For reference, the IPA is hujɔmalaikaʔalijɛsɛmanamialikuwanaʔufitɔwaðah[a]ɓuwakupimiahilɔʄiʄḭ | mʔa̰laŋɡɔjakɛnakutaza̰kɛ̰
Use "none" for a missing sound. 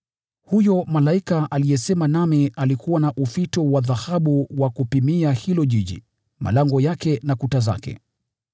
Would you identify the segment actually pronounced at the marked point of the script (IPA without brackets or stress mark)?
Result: a